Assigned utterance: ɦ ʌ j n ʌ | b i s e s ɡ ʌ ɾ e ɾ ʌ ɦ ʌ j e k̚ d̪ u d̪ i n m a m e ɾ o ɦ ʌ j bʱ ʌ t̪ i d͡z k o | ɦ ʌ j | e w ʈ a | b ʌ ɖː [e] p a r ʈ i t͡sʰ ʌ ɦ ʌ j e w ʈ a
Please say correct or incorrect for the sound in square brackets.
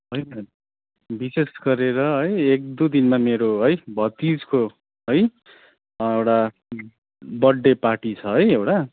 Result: correct